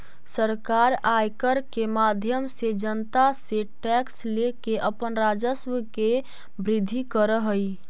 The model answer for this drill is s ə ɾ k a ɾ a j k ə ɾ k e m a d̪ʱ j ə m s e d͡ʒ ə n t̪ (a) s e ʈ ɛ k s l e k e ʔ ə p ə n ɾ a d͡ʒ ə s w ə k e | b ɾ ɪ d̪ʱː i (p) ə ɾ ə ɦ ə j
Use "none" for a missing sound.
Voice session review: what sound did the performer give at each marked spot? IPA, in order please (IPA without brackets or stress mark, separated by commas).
a, k